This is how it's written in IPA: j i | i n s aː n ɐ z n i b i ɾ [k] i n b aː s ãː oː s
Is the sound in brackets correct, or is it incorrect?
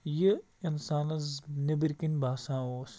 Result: correct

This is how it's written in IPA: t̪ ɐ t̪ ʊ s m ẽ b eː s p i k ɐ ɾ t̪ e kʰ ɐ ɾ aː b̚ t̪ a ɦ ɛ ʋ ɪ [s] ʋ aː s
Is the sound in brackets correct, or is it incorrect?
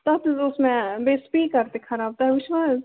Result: incorrect: ʃ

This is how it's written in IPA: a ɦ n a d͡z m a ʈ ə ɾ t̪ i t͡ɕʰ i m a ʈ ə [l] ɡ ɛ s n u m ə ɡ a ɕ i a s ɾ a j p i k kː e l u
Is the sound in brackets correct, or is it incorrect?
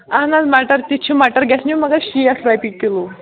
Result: incorrect: ɾ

